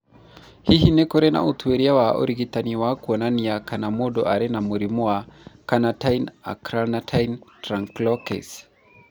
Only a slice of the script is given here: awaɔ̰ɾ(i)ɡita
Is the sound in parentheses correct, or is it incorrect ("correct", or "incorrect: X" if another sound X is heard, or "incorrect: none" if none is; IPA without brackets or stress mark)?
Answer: correct